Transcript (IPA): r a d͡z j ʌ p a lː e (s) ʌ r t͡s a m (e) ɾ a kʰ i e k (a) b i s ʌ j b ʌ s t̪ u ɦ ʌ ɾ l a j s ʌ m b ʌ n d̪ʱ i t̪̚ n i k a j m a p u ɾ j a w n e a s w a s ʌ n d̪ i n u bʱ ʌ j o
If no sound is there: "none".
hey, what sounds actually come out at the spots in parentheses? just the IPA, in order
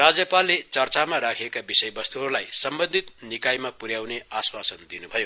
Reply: t͡s, a, a

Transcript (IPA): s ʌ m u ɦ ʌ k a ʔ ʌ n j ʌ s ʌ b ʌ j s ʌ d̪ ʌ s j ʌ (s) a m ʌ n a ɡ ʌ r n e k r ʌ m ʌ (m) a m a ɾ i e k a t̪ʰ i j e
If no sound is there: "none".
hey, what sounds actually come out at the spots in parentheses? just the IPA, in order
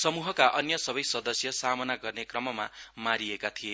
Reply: s, m

